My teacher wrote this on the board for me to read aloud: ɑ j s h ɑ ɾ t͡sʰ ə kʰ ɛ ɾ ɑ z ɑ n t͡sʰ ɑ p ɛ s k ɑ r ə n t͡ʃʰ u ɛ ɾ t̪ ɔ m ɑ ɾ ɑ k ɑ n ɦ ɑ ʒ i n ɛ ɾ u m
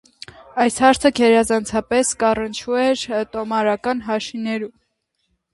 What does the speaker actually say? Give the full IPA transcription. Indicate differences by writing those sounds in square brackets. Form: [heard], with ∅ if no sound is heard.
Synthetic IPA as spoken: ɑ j s h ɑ ɾ t͡sʰ ə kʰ ɛ ɾ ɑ z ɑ n t͡sʰ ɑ p ɛ s k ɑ r ə n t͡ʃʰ u ɛ ɾ t̪ ɔ m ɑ ɾ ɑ k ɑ n ɦ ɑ [ʃ] i n ɛ ɾ u m